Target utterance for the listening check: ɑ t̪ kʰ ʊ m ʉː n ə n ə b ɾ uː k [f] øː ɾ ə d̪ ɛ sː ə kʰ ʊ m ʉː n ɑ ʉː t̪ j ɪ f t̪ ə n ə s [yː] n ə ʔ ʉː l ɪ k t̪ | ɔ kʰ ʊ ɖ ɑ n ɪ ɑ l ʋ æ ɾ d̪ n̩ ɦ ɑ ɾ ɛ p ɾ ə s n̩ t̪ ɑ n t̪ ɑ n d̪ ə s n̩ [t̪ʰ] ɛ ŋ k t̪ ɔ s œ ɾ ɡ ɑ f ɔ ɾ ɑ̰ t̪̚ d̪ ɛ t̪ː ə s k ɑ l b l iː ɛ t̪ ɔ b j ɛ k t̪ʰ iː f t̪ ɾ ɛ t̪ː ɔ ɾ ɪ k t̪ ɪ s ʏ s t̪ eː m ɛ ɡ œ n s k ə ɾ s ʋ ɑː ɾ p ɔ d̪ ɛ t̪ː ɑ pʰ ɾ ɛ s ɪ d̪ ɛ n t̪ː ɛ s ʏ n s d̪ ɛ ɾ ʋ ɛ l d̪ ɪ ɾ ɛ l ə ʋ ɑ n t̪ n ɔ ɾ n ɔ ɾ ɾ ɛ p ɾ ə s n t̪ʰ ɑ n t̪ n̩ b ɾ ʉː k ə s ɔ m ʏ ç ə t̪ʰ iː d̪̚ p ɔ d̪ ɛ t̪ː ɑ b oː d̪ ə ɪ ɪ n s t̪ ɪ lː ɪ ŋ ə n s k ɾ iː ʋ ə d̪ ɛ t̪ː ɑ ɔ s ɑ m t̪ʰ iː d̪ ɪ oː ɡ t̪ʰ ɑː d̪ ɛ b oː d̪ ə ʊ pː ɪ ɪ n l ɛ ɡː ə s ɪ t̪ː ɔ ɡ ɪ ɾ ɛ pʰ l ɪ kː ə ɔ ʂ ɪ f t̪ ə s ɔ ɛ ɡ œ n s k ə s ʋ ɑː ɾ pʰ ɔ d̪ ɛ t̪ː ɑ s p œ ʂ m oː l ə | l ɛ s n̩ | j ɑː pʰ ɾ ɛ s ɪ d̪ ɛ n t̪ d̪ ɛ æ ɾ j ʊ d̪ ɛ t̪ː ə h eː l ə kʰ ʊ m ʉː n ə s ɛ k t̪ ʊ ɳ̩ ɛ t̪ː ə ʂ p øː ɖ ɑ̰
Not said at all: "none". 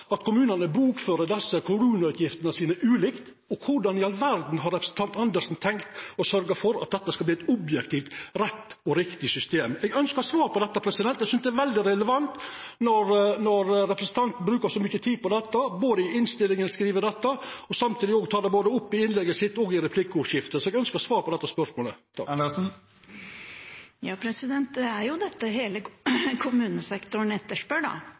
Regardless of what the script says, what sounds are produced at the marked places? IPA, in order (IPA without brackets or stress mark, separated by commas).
f, iː, t̪ʰ